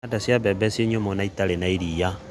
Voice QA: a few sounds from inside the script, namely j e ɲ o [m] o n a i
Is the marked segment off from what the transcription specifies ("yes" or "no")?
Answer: no